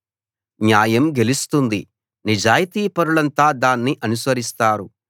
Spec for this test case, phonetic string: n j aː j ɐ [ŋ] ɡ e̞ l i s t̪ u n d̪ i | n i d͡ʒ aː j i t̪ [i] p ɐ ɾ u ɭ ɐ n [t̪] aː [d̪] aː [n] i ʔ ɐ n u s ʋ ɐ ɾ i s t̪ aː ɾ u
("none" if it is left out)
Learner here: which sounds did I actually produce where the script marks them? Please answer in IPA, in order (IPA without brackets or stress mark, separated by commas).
m, iː, t̪, d̪, nː